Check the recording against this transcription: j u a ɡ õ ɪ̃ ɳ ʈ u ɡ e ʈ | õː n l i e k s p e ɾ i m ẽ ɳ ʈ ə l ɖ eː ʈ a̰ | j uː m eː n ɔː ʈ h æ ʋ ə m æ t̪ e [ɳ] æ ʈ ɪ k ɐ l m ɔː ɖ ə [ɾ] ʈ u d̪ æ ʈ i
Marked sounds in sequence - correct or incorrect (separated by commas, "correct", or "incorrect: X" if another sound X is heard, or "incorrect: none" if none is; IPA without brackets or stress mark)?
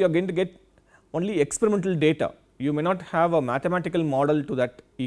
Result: incorrect: m, incorrect: l